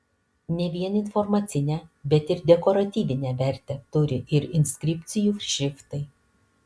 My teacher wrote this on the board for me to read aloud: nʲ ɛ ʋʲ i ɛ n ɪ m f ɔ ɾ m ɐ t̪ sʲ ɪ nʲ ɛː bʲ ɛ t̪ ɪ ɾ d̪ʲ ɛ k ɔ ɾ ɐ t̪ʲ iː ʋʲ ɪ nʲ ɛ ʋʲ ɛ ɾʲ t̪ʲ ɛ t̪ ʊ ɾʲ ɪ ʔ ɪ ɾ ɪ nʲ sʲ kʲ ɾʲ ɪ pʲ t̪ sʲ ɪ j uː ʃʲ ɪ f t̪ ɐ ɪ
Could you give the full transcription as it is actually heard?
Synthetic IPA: nʲ ɛ ʋʲ i ɛ n ɪ n f ɔ ɾ m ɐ t̪ sʲ ɪ nʲ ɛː bʲ ɛ t̪ ɪ ɾ d̪ʲ ɛ k ɔ ɾ ɐ t̪ʲ iː ʋʲ ɪ nʲ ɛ ʋʲ ɛ ɾʲ t̪ʲ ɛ t̪ ʊ ɾʲ ɪ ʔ ɪ ɾ ɪ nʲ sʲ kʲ ɾʲ ɪ pʲ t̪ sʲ ɪ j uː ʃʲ ɪ f t̪ ɐ ɪ

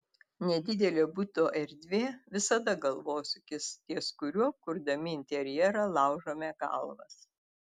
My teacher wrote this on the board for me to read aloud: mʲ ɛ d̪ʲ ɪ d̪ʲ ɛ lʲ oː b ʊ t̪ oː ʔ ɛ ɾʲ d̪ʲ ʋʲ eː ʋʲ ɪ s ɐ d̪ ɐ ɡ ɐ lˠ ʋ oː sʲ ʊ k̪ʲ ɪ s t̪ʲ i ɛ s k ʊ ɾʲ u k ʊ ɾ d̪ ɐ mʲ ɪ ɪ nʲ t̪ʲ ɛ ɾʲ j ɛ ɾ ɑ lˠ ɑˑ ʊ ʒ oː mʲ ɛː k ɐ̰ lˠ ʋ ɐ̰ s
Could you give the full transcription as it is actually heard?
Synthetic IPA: nʲ ɛ d̪ʲ ɪ d̪ʲ ɛ lʲ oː b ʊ t̪ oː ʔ ɛ ɾʲ d̪ʲ ʋʲ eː ʋʲ ɪ s ɐ d̪ ɐ ɡ ɐ lˠ ʋ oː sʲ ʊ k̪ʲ ɪ s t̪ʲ i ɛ s k ʊ ɾʲ u k ʊ ɾ d̪ ɐ mʲ ɪ ɪ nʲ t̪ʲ ɛ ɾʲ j ɛ ɾ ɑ lˠ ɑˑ ʊ ʒ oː mʲ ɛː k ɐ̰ lˠ ʋ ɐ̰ s

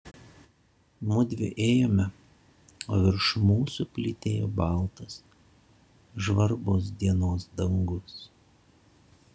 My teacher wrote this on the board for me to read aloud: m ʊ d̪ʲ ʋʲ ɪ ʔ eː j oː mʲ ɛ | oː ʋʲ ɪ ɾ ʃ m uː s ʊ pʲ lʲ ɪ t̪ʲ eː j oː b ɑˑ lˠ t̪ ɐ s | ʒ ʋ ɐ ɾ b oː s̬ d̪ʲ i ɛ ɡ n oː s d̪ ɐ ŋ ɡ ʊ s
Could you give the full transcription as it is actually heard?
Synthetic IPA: m ʊ d̪ʲ ʋʲ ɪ ʔ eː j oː mʲ ɛ | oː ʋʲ ɪ ɾ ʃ m uː s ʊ pʲ lʲ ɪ t̪ʲ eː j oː b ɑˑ lˠ t̪ ɐ s | ʒ ʋ ɐ ɾ b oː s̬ d̪ʲ i ɛ n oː s d̪ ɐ ŋ ɡ ʊ s

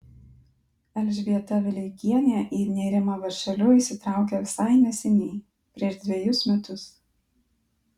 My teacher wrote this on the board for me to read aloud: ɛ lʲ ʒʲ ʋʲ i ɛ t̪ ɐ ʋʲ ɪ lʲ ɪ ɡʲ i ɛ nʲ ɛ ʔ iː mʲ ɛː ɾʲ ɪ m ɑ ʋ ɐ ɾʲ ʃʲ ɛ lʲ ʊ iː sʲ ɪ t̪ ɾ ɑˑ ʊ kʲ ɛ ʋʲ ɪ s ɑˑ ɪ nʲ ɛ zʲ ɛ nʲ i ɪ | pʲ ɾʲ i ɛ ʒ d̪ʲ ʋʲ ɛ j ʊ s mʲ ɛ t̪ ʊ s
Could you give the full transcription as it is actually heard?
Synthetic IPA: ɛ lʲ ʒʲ ʋʲ i ɛ t̪ ɐ ʋʲ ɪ lʲ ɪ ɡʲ i ɛ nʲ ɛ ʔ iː nʲ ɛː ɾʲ ɪ m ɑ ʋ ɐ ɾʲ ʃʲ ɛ lʲ ʊ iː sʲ ɪ t̪ ɾ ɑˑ ʊ kʲ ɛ ʋʲ ɪ s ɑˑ ɪ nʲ ɛ sʲ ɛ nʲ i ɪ | pʲ ɾʲ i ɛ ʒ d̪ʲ ʋʲ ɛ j ʊ s mʲ ɛ t̪ ʊ s

